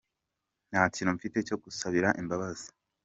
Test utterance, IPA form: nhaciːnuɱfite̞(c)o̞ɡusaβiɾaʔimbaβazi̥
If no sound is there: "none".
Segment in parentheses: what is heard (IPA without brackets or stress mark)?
c